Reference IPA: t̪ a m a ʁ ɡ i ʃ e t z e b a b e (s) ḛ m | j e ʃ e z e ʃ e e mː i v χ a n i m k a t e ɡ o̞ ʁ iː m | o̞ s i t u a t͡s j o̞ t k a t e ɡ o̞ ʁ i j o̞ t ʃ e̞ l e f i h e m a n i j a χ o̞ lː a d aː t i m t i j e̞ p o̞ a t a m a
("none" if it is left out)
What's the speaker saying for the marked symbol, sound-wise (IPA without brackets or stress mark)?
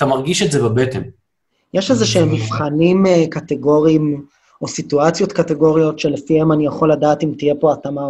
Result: t